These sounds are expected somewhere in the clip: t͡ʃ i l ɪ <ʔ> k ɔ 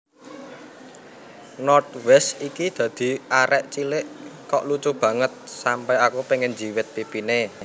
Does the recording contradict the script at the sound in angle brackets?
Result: no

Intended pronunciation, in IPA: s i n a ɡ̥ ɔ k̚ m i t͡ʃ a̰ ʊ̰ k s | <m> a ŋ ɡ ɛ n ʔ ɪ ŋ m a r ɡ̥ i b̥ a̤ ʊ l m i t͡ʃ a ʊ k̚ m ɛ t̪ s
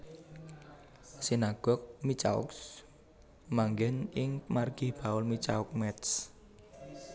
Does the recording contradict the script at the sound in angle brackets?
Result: no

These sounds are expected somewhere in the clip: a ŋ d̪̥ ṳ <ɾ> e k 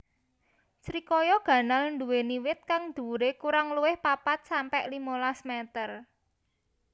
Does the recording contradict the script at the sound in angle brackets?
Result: no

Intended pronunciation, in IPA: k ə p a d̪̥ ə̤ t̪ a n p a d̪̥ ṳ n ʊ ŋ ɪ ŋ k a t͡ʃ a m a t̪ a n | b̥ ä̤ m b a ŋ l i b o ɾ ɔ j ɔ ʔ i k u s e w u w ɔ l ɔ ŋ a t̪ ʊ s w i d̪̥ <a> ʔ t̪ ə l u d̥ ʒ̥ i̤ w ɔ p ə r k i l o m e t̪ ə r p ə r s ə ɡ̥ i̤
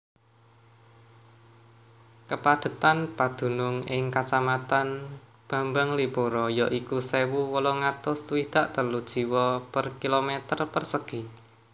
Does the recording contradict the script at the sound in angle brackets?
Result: no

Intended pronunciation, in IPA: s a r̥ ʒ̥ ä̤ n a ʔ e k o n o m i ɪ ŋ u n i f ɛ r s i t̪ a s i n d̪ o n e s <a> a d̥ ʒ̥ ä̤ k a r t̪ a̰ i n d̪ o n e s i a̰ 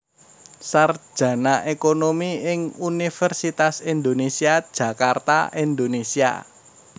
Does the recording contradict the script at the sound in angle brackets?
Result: yes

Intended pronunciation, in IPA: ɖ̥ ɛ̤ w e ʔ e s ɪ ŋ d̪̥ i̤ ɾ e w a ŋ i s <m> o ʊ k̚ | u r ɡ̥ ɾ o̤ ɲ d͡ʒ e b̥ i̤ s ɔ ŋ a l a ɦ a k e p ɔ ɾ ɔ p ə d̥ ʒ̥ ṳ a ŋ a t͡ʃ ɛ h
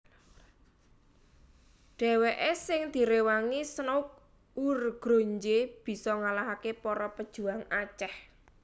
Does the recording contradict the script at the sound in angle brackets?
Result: yes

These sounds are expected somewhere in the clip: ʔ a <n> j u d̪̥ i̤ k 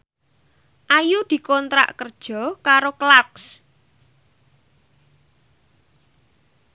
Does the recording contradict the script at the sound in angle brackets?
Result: yes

